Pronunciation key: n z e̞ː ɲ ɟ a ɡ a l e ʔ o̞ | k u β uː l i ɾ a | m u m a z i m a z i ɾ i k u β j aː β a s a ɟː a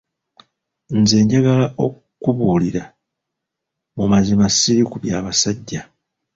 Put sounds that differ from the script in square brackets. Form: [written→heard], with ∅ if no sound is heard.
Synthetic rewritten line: n z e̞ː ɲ ɟ a ɡ a l [e→a] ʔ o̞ | k u β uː l i ɾ a | m u m a z i m a [z→s] i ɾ i k u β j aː β a s a ɟː a